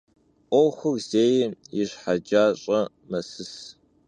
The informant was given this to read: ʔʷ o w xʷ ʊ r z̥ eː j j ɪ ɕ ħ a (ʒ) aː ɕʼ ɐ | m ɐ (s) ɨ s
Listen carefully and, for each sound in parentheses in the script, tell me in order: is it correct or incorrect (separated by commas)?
incorrect, correct